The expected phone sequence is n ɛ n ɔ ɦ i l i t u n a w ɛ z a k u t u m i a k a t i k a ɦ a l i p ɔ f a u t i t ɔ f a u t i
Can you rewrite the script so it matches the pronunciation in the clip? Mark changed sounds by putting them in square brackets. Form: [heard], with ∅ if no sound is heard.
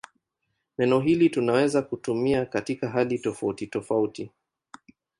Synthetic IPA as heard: n ɛ n ɔ ɦ i l i t u n a w ɛ z a k u t u m i a k a t i k a ɦ a l i [t] ɔ f a u t i t ɔ f a u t i